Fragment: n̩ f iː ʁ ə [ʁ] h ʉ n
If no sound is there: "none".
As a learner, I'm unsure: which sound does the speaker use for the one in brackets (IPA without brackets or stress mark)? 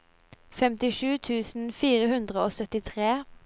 none